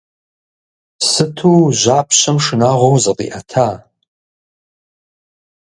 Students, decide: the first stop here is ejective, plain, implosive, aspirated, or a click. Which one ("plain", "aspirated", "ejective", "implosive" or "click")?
aspirated